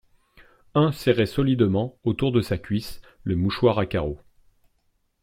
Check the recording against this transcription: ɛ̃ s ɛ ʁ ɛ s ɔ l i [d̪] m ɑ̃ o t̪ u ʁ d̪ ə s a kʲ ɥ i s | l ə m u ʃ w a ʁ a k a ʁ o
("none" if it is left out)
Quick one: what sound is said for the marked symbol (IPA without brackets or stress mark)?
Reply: d̪